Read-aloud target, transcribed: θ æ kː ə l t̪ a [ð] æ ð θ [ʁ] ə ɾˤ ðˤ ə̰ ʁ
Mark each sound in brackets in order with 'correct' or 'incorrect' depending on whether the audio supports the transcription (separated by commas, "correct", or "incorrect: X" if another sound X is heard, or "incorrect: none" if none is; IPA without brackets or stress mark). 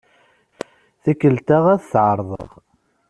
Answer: incorrect: ʁ, incorrect: ʕ